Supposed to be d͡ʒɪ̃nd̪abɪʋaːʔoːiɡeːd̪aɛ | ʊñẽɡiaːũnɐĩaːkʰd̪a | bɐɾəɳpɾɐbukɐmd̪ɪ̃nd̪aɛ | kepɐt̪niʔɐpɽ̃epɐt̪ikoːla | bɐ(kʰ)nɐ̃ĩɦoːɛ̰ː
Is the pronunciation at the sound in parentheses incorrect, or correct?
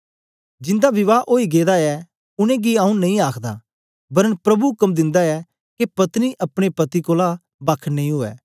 correct